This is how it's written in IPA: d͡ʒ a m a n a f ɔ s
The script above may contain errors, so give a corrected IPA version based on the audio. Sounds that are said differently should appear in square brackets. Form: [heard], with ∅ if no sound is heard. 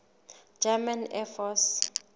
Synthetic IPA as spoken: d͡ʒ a m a n [ɛ] f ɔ s